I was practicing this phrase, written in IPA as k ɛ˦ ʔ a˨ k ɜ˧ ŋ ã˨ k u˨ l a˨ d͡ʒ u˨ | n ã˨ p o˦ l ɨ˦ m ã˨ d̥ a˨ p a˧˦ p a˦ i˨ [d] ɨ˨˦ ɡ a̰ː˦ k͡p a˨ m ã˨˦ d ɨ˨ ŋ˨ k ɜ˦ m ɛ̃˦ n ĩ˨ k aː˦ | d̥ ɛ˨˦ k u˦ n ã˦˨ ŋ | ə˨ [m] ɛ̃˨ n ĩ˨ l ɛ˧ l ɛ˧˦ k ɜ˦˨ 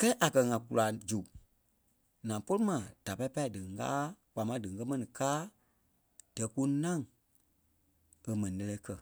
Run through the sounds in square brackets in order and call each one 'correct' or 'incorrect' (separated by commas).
correct, correct